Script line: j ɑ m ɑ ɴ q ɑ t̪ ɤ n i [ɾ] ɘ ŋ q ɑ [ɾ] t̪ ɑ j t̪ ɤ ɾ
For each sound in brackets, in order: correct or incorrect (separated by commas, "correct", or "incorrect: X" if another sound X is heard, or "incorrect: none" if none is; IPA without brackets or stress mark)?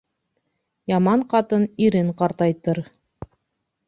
correct, correct